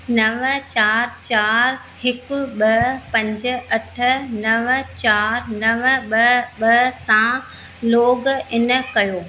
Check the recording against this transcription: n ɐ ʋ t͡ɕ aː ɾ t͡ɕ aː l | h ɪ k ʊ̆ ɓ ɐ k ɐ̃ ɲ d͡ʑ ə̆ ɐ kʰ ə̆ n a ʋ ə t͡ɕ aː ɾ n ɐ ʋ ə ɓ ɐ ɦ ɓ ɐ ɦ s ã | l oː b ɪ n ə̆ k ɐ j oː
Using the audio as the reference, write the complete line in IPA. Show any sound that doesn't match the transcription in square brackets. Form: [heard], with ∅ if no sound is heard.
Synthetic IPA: n ɐ ʋ t͡ɕ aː ɾ t͡ɕ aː [ɾ] | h ɪ k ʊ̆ ɓ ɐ [p] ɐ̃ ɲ d͡ʑ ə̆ ɐ [ʈʰ] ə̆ n [ɐ] ʋ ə t͡ɕ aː ɾ n ɐ ʋ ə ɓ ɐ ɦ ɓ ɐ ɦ s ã | l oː [ɡ] ɪ n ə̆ k ɐ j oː